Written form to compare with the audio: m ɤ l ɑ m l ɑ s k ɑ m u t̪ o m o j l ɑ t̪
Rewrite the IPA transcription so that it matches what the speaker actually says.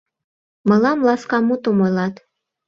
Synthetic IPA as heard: m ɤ l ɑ m l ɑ s k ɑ m u t̪ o m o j l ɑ t̪